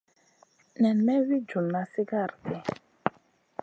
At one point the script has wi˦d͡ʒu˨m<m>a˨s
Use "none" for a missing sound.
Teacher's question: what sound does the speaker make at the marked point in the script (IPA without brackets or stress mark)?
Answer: n